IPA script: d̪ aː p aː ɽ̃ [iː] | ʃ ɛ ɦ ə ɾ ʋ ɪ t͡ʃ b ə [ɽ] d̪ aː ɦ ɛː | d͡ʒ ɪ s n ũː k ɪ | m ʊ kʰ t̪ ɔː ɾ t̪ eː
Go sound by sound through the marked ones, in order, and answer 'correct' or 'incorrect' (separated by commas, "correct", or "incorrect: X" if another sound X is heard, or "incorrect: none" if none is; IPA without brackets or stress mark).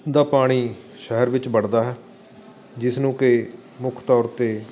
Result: correct, correct